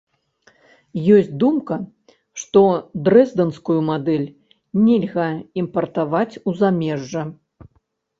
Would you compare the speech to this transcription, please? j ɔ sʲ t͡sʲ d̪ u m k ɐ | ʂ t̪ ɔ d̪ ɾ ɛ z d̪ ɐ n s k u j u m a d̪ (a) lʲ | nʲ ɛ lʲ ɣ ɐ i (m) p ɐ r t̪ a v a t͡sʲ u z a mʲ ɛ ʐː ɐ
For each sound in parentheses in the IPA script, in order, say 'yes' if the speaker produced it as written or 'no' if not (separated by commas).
no, yes